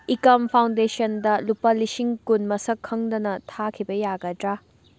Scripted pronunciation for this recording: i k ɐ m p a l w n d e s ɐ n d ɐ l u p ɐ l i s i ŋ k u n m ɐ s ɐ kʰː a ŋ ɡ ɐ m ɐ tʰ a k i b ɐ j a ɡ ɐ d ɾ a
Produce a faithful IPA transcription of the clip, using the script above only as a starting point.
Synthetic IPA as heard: i k ɐ m pʰ a w n d e s ɐ n d ɐ l u p ɐ l i s i ŋ k u n m ɐ s ɐ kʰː ɐ ŋ d ɐ n ɐ tʰ a kʰ i b ɐ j a ɡ ɐ d ɾ a